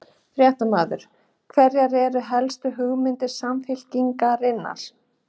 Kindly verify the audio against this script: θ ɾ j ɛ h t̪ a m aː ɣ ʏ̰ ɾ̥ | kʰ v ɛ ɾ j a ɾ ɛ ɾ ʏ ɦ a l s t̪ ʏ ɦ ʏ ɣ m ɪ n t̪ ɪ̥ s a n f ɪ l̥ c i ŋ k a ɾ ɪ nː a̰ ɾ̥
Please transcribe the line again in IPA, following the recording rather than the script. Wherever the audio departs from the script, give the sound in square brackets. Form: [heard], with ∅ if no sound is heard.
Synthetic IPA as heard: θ ɾ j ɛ h t̪ a m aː [ð] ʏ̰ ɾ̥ | kʰ v ɛ ɾ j a ɾ ɛ ɾ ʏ ɦ [ɛ] l s t̪ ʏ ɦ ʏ ɣ m ɪ n t̪ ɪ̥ s a [m] f ɪ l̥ c i ŋ k a ɾ ɪ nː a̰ ɾ̥